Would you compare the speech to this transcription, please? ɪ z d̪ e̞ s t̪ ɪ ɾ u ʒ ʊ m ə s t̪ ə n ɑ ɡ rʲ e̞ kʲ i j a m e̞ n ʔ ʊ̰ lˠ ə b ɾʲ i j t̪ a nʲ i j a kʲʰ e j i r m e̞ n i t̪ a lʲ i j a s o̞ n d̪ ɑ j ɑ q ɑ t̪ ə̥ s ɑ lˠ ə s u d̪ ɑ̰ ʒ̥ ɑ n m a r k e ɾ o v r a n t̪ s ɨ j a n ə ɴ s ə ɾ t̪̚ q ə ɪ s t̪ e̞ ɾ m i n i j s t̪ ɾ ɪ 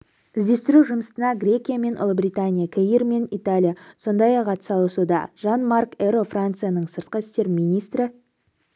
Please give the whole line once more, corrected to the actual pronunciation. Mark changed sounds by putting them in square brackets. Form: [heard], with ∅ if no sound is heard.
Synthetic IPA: ɪ z d̪ e̞ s t̪ ɪ ɾ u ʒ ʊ m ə s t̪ ə n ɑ ɡ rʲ e̞ kʲ i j a m e̞ n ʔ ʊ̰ lˠ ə b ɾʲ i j t̪ a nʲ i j a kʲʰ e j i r m e̞ n i t̪ a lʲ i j a s o̞ n d̪ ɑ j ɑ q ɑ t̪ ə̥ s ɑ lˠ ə s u d̪ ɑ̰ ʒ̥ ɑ n m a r k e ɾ o [f] r a n t̪ s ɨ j a n ə ɴ s ə ɾ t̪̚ q ə ɪ s t̪ e̞ ɾ m i n i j s t̪ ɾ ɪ